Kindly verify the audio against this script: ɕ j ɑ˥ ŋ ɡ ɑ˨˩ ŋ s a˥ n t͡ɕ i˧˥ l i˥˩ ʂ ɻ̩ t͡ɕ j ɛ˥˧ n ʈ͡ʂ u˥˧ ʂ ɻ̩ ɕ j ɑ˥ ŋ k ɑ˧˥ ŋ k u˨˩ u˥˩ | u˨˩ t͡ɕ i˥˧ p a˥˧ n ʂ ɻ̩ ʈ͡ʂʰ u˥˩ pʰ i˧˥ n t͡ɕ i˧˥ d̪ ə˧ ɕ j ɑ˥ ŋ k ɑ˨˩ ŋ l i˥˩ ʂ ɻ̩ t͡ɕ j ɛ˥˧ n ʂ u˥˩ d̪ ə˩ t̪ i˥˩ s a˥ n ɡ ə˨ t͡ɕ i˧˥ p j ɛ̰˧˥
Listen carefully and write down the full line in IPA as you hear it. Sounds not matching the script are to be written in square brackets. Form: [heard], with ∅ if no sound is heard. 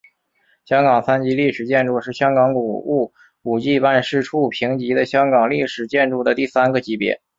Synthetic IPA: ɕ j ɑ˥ ŋ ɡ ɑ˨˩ ŋ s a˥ n t͡ɕ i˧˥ l i˥˩ ʂ ɻ̩ t͡ɕ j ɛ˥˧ n ʈ͡ʂ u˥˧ ʂ ɻ̩ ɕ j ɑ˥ ŋ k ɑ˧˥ ŋ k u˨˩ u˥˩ | u˨˩ t͡ɕ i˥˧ p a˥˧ n ʂ ɻ̩ ʈ͡ʂʰ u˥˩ pʰ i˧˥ [ŋ] t͡ɕ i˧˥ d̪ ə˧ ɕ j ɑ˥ ŋ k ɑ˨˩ ŋ l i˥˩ ʂ ɻ̩ t͡ɕ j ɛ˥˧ n [ʈ͡ʂ] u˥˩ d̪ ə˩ t̪ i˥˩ s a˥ n ɡ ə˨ t͡ɕ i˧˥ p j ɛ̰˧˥